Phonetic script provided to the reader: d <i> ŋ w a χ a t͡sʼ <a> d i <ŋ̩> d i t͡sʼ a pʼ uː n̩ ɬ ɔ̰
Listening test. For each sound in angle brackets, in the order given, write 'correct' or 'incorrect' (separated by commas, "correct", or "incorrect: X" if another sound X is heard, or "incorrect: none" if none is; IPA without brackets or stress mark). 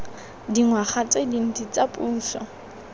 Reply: correct, incorrect: e, incorrect: n̩